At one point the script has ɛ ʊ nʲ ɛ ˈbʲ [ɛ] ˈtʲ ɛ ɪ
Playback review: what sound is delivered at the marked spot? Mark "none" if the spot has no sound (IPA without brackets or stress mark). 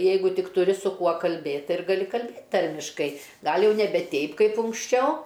ɛ